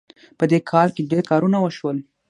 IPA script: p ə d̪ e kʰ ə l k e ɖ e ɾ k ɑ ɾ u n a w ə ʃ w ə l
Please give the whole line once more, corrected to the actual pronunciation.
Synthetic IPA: p ə d̪ e kʰ ɑ l k e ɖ e ɾ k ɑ ɾ u n a w ə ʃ w ə l